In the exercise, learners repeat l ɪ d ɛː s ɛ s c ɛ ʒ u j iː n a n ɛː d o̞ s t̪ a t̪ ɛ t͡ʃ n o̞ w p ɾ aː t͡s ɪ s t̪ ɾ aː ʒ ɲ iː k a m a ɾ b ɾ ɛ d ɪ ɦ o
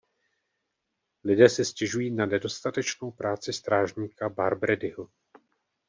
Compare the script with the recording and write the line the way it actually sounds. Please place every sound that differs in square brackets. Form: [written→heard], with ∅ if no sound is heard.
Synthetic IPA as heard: l ɪ d ɛː s ɛ s c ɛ ʒ u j iː n a n [ɛː→ɛ] d o̞ s t̪ a t̪ ɛ t͡ʃ n o̞ w p ɾ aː t͡s ɪ s t̪ ɾ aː ʒ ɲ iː k a [m→b] a ɾ b ɾ ɛ d ɪ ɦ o